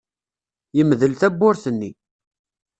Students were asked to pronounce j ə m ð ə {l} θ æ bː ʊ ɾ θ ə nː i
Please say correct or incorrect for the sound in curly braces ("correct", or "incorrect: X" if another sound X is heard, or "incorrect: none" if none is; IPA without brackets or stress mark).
correct